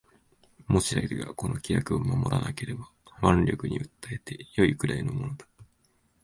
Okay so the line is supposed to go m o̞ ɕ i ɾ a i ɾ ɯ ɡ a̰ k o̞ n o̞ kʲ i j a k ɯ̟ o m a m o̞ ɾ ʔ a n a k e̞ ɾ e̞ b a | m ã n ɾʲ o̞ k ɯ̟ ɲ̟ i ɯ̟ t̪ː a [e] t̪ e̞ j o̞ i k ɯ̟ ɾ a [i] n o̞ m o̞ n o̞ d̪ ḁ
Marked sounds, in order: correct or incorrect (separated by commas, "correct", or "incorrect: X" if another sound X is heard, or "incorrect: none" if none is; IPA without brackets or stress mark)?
correct, correct